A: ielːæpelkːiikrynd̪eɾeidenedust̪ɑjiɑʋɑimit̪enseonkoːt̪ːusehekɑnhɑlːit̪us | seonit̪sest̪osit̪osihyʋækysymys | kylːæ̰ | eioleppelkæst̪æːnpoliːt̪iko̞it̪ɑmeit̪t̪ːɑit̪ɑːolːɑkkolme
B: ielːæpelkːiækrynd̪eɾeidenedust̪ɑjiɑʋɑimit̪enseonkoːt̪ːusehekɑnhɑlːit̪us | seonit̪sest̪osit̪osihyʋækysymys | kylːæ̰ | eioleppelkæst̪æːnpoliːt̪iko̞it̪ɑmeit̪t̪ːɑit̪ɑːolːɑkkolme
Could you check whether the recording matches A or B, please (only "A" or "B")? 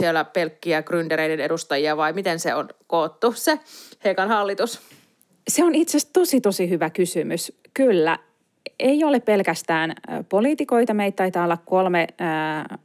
B